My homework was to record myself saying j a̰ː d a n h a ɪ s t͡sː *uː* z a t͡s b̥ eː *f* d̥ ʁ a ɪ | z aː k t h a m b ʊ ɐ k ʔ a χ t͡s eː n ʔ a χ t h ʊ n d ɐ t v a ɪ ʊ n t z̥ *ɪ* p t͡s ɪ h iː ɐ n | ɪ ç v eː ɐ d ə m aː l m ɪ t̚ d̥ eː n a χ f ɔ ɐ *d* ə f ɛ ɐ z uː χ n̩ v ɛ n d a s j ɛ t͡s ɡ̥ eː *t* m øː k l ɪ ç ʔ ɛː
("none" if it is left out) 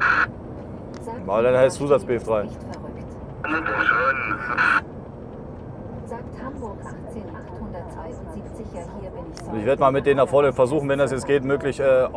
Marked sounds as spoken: uː, f, i, n, t

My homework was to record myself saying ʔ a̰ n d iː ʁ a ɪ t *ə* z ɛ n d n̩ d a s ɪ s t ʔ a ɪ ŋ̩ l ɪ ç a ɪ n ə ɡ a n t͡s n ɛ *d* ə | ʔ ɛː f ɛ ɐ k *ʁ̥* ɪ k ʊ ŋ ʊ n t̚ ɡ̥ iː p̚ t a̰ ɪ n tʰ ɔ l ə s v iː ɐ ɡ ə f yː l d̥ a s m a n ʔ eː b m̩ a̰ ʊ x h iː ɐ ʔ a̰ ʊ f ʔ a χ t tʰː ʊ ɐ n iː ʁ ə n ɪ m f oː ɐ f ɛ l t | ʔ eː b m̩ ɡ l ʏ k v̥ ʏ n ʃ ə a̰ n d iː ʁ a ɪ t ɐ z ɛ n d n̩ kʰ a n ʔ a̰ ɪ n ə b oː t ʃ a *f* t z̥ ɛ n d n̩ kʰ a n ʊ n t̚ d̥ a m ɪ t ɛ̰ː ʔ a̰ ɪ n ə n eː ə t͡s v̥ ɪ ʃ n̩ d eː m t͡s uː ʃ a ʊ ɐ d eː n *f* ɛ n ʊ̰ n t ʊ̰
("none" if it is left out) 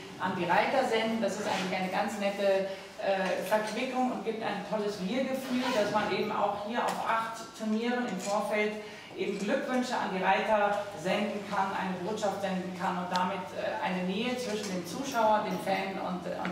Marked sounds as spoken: ɐ, t, v̥, f, f

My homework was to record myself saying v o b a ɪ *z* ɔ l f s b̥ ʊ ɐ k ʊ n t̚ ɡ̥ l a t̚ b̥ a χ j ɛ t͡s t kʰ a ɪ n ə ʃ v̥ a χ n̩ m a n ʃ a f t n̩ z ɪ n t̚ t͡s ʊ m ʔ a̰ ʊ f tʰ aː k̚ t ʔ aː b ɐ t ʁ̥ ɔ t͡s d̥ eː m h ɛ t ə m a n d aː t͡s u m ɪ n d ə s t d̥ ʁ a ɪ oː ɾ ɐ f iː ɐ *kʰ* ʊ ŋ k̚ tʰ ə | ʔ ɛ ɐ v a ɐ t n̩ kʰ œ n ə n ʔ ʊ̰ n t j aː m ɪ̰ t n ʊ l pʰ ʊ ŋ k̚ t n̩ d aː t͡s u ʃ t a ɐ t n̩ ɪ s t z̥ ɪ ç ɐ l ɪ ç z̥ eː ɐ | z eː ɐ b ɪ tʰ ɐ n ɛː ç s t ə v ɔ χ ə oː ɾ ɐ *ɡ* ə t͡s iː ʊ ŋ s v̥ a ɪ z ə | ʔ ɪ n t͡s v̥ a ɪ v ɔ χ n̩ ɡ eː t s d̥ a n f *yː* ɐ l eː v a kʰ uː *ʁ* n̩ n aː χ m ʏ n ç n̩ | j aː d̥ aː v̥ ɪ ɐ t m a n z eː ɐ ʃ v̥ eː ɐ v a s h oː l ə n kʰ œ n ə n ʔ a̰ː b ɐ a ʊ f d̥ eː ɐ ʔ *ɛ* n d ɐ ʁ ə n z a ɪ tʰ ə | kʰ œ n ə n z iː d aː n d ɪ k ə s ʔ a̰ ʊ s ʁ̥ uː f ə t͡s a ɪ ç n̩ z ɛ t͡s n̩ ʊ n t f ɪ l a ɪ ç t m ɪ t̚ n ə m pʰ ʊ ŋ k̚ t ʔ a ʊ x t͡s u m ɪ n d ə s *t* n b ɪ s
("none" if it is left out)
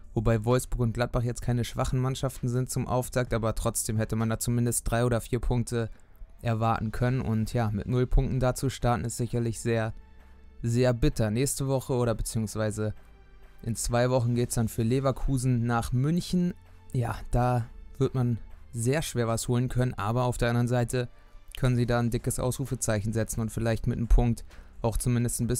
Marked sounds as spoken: v, pʰ, b, yː, z, a, t

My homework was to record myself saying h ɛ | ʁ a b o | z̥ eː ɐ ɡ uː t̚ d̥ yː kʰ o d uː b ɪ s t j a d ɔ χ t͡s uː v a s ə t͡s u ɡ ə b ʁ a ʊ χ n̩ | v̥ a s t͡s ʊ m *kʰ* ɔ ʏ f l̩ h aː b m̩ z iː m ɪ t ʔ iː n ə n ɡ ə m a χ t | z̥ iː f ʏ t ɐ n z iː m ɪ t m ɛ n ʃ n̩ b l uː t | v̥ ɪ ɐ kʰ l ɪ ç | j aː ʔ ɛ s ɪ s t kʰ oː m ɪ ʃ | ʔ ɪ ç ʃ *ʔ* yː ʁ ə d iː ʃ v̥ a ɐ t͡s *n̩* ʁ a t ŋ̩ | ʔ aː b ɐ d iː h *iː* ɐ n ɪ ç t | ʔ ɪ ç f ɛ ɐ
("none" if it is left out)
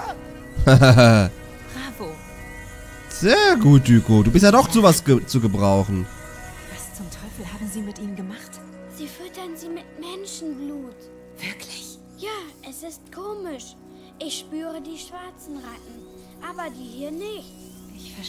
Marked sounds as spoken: tʰ, p, n̩, iː

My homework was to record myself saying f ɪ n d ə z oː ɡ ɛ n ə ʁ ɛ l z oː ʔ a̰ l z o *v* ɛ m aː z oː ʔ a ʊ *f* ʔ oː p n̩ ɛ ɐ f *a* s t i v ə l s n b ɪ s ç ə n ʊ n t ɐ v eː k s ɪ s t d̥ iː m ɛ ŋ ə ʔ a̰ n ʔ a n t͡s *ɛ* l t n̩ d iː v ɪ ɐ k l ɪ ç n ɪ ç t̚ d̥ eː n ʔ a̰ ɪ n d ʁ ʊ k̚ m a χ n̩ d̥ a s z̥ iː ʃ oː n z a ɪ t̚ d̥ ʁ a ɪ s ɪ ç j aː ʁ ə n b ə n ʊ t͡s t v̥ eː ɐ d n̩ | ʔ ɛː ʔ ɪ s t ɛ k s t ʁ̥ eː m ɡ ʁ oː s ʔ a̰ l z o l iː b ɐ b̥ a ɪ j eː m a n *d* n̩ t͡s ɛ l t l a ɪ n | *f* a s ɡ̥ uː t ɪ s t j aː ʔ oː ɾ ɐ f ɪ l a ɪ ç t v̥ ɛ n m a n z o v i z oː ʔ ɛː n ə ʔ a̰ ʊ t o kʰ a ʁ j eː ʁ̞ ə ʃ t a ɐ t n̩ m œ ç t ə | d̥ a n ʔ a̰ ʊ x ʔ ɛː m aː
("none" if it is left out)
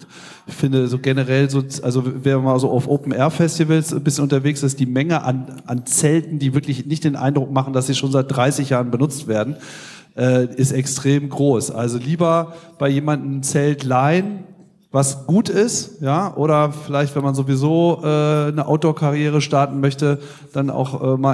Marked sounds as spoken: v, f, ɛ, ɛ, d, v

